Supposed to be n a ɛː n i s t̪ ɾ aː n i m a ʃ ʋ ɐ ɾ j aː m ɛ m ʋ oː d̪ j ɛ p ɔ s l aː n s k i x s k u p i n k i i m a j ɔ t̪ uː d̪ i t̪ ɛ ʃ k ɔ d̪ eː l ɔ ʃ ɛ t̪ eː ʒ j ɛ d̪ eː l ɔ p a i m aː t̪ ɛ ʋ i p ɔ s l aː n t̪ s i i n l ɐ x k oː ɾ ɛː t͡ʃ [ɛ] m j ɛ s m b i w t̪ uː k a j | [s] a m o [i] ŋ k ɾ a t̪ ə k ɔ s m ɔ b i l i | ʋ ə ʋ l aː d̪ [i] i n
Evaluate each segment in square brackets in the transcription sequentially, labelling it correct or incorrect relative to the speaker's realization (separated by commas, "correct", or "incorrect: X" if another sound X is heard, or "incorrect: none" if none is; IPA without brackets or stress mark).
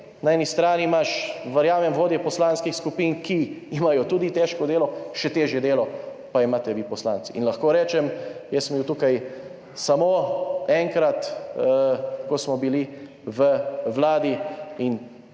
correct, correct, incorrect: ɛ, correct